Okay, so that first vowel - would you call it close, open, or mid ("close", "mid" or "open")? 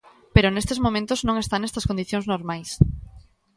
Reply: mid